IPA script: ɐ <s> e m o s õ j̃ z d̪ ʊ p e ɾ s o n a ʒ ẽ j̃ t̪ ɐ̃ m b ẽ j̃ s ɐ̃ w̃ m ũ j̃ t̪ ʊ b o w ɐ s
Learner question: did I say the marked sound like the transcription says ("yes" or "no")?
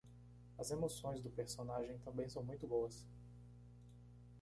no